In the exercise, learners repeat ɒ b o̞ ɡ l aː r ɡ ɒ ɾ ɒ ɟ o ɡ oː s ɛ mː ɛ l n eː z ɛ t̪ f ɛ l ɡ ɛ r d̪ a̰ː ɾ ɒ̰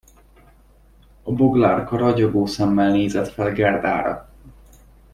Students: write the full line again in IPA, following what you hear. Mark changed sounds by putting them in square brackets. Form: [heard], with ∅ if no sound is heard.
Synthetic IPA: ɒ b o̞ ɡ l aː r [k] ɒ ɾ ɒ ɟ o ɡ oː s ɛ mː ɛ l n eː z ɛ t̪ f ɛ l ɡ ɛ r d̪ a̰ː ɾ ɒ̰